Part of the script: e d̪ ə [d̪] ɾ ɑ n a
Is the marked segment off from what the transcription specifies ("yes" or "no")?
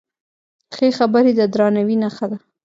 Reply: no